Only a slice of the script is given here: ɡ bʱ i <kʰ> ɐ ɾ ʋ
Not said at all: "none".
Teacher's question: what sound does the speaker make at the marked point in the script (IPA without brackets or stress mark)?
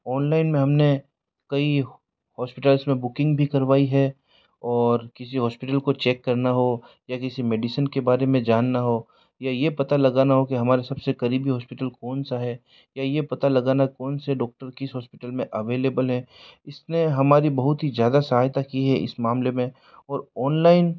k